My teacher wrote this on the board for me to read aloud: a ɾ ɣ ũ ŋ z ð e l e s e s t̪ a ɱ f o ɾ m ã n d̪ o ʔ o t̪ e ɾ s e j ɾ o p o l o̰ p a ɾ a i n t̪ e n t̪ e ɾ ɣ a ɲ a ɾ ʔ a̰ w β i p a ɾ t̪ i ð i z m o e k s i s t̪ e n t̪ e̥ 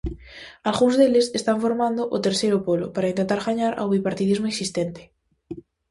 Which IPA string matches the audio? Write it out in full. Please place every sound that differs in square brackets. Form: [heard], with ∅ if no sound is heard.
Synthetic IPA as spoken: a [l] ɣ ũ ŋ z ð e l e s e s t̪ a ɱ f o ɾ m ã n d̪ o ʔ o t̪ e ɾ s e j ɾ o p o l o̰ p a ɾ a i n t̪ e n t̪ [a] ɾ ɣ a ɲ a ɾ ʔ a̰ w β i p a ɾ t̪ i ð i z m o e k s i s t̪ e n t̪ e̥